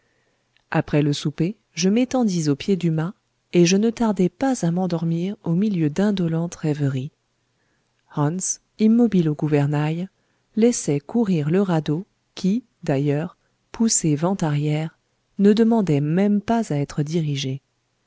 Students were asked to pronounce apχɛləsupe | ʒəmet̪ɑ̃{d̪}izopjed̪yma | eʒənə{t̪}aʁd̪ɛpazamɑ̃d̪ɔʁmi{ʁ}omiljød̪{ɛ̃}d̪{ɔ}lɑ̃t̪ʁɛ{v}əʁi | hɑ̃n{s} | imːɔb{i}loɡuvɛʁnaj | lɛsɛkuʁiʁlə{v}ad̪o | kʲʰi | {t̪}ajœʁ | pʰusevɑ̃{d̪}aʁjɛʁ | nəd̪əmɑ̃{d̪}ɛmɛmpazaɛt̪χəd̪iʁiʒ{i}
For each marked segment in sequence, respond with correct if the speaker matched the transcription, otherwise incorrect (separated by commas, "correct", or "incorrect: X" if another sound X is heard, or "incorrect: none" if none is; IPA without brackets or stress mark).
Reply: correct, correct, correct, correct, correct, correct, correct, correct, incorrect: ʁ, incorrect: d̪, incorrect: t̪, correct, incorrect: e